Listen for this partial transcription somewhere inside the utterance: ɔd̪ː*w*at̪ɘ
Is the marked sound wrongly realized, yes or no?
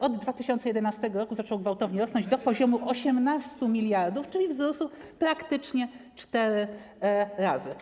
yes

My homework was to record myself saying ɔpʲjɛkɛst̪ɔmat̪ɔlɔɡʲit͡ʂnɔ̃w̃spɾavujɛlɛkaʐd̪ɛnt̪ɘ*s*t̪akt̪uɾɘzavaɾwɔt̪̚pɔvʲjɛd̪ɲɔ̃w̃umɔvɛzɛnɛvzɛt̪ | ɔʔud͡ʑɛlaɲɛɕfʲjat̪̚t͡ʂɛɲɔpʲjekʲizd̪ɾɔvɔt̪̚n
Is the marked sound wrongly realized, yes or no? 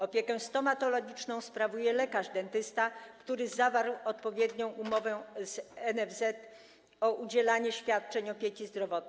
no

